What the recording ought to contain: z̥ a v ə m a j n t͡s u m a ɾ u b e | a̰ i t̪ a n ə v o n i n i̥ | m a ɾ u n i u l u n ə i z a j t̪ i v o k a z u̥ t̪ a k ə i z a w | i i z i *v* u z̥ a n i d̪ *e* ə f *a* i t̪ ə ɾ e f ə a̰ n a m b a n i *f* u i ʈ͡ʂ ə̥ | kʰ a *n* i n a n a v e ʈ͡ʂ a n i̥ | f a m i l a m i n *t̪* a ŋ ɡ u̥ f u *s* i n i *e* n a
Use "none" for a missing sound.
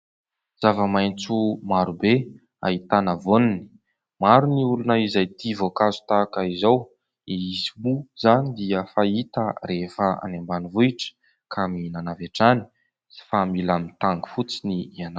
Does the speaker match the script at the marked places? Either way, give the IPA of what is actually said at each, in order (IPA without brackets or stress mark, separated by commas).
b, i, a, v, m, t̪, t͡s, a